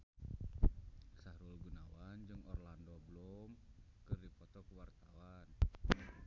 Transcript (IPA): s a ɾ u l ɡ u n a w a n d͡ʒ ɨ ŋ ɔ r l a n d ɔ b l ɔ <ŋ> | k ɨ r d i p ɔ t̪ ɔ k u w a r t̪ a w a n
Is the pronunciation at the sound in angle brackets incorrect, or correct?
incorrect